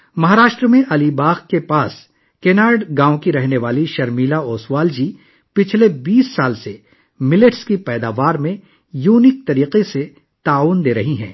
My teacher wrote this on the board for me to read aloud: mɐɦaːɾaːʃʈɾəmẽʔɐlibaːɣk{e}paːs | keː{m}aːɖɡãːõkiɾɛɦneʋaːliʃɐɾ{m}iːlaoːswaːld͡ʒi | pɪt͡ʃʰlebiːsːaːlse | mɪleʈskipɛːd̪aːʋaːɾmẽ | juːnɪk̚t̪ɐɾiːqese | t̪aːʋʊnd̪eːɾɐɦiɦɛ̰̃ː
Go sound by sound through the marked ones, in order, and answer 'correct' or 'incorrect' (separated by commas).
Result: correct, incorrect, correct